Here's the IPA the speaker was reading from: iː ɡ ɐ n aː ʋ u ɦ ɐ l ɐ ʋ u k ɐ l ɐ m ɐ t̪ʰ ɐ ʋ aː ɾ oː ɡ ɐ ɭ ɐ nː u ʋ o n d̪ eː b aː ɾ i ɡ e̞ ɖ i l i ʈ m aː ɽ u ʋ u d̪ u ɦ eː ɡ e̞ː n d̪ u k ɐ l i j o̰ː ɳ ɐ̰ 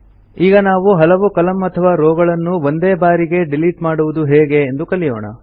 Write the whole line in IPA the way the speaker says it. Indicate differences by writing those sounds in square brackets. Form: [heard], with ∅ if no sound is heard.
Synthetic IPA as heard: iː ɡ ɐ n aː ʋ u ɦ ɐ l ɐ ʋ u k ɐ l ɐ m ɐ t̪ʰ ɐ ʋ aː ɾ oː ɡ ɐ ɭ ɐ nː u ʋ o n d̪ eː b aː ɾ i ɡ e̞ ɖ i l i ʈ m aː ɽ u ʋ u d̪ u ɦ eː ɡ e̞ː n d̪ u k ɐ l i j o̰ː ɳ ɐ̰